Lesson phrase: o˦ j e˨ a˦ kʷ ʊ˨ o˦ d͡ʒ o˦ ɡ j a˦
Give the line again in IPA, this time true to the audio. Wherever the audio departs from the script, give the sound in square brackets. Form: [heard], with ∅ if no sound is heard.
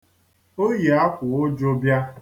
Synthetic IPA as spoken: o˦ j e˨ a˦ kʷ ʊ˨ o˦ d͡ʒ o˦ [b] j a˦